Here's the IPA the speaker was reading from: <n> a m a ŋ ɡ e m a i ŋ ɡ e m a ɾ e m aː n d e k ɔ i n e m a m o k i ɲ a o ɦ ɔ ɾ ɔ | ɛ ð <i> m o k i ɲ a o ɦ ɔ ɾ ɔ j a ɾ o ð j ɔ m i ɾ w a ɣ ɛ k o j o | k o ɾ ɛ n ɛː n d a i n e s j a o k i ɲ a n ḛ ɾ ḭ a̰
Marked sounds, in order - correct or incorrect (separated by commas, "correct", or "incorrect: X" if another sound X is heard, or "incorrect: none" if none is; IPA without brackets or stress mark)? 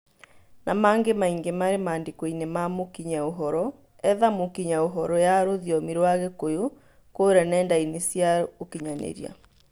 correct, incorrect: a